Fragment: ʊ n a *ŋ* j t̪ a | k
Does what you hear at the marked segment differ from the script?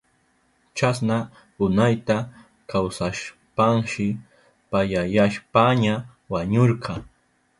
yes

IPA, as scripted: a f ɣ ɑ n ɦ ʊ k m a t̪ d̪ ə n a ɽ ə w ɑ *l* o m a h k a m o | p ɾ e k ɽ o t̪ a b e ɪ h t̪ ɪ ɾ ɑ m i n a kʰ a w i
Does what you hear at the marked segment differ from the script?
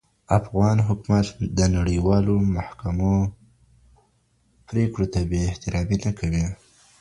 no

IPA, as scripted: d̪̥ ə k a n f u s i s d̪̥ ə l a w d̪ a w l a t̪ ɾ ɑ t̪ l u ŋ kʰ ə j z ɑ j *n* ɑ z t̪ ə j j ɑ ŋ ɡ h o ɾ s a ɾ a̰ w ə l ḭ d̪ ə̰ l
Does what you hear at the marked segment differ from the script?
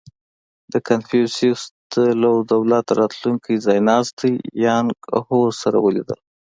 no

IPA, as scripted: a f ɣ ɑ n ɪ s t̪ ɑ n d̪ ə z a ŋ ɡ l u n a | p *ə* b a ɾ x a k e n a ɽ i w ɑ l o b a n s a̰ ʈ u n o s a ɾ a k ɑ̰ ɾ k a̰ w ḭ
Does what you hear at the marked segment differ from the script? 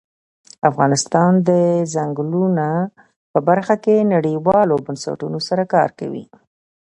no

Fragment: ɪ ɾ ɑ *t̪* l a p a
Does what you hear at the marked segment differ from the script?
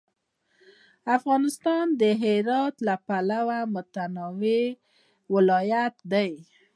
no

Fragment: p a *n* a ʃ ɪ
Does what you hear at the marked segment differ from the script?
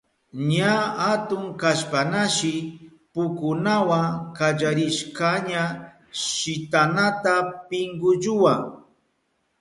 no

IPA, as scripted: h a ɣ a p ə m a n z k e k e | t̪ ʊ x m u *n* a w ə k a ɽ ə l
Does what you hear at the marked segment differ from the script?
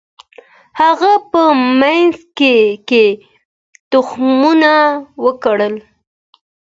no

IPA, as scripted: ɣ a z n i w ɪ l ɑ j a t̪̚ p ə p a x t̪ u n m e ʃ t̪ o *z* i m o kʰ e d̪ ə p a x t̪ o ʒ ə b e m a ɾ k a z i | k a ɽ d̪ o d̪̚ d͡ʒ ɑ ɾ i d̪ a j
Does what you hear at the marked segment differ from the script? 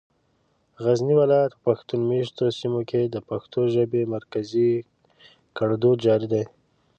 yes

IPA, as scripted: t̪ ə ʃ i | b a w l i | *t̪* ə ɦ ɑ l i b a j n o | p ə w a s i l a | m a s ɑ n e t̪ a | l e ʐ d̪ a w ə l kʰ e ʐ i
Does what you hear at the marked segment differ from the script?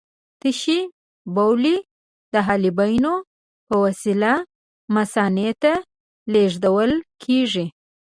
yes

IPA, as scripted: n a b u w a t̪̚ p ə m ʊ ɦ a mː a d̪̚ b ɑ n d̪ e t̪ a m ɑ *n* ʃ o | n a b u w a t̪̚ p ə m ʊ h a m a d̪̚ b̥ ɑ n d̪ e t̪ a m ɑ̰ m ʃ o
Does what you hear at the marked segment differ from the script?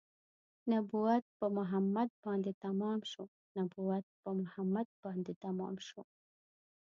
yes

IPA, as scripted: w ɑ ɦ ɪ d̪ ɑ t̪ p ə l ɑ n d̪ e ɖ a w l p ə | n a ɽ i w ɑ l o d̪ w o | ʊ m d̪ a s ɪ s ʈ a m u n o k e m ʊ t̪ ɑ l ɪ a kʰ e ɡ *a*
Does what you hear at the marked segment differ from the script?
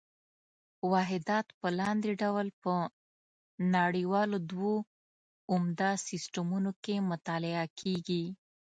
yes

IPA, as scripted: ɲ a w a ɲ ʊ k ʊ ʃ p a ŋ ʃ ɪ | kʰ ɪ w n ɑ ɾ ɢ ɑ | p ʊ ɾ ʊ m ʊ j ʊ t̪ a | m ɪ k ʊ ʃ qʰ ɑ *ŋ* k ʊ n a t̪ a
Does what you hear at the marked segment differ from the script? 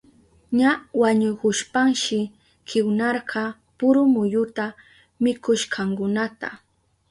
no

